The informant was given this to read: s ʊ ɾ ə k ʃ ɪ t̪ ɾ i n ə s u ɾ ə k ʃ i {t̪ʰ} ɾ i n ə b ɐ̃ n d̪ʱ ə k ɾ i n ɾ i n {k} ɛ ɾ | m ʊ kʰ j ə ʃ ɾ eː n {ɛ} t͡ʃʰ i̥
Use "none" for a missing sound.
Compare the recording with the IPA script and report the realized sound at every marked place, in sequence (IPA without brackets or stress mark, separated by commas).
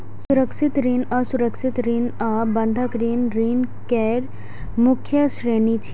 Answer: t̪, k, i